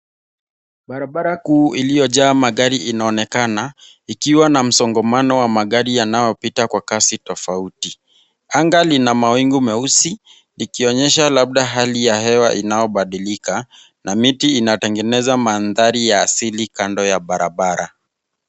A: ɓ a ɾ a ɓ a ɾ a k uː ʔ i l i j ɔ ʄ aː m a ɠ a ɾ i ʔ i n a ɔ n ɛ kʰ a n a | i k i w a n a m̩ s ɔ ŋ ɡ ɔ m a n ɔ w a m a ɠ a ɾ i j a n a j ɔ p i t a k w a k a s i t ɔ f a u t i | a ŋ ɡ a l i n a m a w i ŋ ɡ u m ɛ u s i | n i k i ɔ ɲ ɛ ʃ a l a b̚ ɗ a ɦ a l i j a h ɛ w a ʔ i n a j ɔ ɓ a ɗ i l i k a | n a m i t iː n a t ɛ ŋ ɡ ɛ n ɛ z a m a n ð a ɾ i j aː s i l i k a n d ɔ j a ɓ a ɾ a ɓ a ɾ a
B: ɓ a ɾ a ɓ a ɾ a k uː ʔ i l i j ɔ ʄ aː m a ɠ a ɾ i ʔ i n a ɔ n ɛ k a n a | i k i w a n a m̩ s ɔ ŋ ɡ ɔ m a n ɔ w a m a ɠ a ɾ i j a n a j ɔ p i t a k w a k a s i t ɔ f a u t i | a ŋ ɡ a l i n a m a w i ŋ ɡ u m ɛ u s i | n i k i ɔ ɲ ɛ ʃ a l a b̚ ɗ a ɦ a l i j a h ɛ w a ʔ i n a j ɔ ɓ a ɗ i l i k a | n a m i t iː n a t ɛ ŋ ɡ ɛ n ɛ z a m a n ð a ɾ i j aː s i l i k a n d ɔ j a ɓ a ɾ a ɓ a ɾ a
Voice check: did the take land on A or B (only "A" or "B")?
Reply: B